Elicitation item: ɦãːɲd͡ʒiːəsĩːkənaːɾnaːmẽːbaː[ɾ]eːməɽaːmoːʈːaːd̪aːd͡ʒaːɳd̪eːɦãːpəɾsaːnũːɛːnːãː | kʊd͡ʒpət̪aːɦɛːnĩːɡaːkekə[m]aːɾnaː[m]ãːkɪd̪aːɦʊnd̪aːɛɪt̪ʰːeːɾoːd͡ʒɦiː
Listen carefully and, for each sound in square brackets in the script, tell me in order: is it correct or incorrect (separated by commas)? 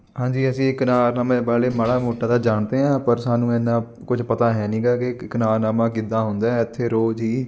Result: incorrect, incorrect, correct